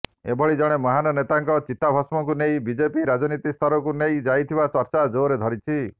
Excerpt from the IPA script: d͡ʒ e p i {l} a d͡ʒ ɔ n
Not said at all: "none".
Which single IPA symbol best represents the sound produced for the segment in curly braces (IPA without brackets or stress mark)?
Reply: ɾ